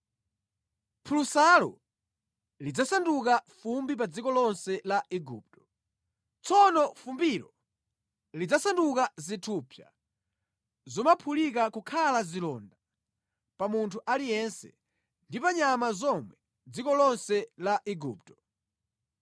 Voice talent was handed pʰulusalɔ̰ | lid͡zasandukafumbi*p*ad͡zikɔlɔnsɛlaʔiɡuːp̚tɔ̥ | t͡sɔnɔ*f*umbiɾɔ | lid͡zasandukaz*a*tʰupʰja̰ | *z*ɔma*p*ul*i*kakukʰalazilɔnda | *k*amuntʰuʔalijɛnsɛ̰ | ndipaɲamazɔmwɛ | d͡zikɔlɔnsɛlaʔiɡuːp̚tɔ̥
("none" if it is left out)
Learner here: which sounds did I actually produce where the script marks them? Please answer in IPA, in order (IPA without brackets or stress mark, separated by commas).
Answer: p, f, i, z, pʰ, i, p